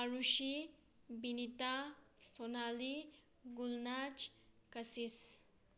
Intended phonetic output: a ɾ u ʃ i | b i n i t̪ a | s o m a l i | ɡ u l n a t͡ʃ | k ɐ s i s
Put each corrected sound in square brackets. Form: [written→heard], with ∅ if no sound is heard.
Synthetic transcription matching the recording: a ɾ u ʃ i | b i n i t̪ a | s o [m→n] a l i | ɡ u l n a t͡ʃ | k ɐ s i s